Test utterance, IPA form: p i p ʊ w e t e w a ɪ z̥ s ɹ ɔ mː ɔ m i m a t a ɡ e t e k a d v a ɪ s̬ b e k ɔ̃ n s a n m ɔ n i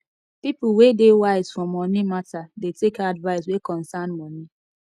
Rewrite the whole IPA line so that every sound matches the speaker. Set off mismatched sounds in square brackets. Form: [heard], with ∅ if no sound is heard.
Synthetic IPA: p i p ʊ w e [d] e w a ɪ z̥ [f] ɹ ɔ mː ɔ [n] i m a t a [d] e t e k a d v a ɪ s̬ [w] e k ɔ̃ n s a n m ɔ n i